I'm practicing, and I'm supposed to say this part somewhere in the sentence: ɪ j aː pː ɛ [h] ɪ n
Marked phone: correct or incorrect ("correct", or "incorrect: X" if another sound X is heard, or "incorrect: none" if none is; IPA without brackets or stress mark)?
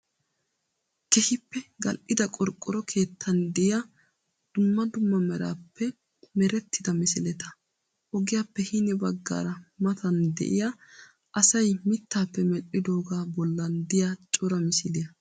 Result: correct